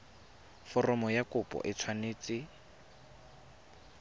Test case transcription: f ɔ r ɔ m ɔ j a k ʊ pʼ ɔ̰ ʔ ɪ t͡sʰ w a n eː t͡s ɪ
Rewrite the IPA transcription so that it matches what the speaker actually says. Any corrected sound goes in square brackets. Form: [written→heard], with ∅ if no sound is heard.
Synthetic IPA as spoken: f ɔ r ɔ m ɔ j a k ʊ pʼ ɔ̰ ʔ ɪ t͡sʰ w a n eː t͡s ɪ